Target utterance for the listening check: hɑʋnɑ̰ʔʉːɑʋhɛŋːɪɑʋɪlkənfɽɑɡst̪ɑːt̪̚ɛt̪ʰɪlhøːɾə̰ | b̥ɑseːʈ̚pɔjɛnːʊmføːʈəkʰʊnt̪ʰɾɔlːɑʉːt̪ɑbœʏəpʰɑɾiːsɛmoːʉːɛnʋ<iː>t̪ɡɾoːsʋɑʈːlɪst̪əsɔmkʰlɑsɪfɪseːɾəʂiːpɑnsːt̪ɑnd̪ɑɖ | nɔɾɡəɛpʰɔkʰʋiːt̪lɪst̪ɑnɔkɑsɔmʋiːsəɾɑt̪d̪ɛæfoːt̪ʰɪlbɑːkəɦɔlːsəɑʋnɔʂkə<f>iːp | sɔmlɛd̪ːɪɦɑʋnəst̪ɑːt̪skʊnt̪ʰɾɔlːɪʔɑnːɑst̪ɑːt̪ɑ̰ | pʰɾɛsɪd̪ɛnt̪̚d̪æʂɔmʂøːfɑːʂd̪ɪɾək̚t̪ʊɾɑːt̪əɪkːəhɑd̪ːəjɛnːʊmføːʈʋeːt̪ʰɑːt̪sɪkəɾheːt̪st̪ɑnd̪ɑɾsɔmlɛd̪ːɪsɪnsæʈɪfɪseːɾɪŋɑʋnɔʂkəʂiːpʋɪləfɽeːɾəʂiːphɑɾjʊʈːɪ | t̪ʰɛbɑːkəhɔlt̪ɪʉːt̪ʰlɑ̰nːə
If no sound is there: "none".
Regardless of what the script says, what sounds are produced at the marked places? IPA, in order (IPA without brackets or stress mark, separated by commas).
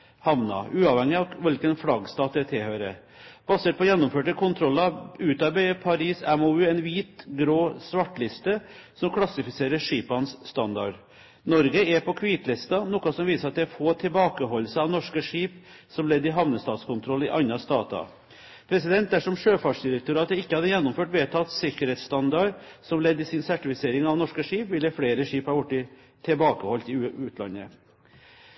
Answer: iː, ʂ